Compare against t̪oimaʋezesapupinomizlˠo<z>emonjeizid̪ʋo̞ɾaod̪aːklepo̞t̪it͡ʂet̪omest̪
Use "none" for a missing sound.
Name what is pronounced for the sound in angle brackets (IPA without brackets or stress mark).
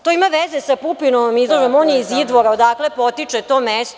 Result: ʒ